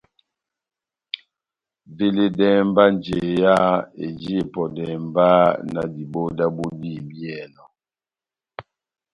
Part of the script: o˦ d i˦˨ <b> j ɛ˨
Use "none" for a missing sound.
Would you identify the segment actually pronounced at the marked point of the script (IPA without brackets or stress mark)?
b